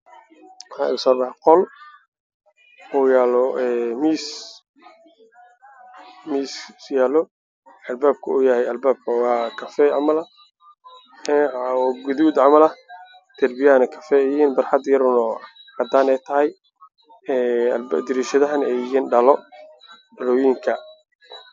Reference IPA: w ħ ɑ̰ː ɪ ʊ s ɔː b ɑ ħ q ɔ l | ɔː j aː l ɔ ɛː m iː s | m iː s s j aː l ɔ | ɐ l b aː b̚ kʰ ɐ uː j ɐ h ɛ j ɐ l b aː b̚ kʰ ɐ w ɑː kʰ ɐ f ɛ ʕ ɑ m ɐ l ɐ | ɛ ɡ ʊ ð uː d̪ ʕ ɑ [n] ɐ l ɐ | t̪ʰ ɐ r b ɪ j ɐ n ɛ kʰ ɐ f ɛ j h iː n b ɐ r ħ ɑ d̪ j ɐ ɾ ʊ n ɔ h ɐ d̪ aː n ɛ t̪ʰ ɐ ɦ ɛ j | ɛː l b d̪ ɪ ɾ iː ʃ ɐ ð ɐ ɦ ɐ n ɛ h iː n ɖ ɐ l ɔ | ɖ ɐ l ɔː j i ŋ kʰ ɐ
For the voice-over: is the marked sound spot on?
no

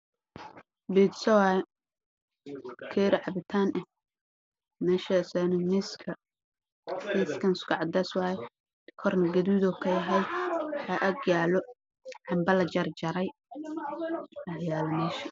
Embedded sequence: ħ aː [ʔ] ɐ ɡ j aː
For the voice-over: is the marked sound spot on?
yes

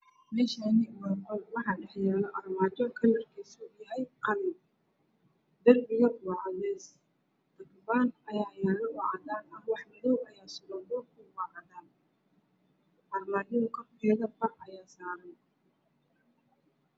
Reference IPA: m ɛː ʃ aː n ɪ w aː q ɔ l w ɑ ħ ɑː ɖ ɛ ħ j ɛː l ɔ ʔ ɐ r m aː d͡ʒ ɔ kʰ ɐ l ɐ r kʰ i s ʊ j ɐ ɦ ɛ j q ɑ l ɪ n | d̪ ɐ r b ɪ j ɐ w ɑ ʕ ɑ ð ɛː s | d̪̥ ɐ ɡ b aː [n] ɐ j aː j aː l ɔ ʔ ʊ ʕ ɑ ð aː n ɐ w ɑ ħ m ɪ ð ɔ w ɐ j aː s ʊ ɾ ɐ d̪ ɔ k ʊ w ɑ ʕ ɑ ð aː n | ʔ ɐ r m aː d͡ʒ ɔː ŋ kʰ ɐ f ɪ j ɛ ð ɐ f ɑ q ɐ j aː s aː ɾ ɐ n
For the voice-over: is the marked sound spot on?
yes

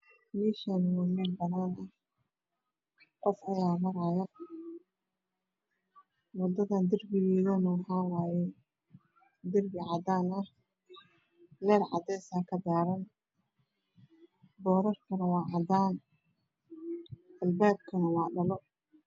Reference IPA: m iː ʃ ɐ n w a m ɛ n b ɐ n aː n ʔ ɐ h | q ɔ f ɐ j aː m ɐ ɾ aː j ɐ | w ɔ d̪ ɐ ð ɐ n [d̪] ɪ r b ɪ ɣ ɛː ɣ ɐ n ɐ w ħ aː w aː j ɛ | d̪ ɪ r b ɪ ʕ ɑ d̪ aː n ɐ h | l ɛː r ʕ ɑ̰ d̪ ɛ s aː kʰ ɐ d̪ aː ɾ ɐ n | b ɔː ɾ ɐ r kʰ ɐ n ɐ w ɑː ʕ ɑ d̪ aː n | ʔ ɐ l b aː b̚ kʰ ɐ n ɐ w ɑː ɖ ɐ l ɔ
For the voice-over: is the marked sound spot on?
yes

